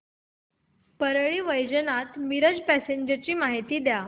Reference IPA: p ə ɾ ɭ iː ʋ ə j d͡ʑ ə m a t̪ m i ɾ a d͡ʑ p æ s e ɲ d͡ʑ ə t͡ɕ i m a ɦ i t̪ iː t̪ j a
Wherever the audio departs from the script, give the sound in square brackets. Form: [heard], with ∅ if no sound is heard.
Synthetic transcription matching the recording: p ə ɾ ɭ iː ʋ ə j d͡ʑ ə [n] a t̪ m i ɾ [ə] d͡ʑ p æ s e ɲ d͡ʑ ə t͡ɕ [iː] m a ɦ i t̪ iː [d̪] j a